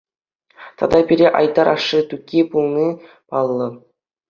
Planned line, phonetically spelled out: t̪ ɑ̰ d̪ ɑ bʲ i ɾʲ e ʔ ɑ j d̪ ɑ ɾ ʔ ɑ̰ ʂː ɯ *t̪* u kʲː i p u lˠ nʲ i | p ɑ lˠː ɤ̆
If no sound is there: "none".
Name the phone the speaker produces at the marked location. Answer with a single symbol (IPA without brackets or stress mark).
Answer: t̪